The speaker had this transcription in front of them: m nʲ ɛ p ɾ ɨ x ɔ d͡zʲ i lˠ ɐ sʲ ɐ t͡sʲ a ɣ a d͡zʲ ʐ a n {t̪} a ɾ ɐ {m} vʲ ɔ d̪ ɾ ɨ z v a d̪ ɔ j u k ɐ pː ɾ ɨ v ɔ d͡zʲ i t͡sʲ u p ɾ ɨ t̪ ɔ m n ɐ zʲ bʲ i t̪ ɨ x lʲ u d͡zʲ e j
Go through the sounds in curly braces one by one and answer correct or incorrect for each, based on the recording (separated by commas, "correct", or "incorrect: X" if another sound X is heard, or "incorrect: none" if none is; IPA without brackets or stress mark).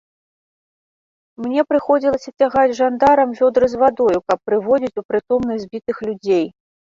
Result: incorrect: d̪, correct